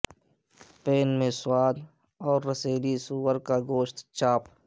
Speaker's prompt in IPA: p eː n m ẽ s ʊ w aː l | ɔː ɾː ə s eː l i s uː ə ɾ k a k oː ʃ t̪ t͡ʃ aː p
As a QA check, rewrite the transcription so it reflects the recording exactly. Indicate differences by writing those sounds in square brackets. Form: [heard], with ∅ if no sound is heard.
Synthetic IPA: p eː n m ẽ s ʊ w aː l | ɔː ɾː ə s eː l i s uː ə ɾ k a [ɡ] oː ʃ t̪ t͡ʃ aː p